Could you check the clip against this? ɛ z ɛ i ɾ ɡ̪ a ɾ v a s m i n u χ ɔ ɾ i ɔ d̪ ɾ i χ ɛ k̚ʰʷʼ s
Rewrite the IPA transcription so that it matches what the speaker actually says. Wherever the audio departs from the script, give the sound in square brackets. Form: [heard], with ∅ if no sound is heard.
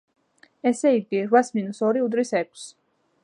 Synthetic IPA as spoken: ɛ [s] ɛ i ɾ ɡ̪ [i] ɾ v a s m i n u [s] ɔ ɾ i [u] d̪ ɾ i [s] ɛ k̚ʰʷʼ s